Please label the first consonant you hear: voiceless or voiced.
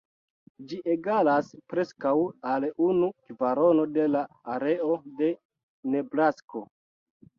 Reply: voiced